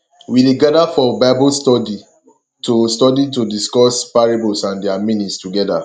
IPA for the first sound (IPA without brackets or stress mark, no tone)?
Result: w